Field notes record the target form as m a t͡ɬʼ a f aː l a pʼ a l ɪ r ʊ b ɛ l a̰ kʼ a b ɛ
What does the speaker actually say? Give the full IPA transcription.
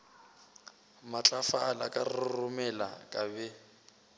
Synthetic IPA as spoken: m a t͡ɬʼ a f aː l a kʼ a r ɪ r ʊ m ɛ l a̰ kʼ a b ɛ

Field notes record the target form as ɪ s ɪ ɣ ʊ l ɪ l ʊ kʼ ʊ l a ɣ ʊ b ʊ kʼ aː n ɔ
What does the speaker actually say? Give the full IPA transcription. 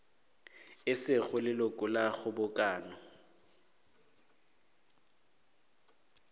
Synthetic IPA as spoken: ɪ s ɪ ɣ ʊ l ɪ l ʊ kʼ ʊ l a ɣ ʊ b ʊ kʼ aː n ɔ

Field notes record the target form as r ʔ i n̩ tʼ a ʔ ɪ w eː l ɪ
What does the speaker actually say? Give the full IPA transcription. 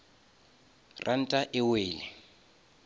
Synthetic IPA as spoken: r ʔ a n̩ tʼ a ʔ ɪ w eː l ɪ

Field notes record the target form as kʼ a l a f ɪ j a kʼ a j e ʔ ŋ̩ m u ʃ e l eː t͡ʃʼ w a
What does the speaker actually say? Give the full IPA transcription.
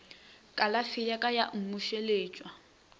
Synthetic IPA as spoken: kʼ a l a f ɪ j a kʼ a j a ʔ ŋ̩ m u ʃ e l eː t͡ʃʼ w a

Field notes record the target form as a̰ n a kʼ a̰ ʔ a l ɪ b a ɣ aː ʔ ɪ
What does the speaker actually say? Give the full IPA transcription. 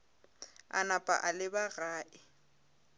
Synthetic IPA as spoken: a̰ n a pʼ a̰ ʔ a l ɪ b a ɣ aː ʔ ɪ

